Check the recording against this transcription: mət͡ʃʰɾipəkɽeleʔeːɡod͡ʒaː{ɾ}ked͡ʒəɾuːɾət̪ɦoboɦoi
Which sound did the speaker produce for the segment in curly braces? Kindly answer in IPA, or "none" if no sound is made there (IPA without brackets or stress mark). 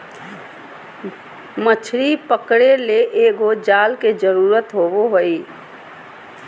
l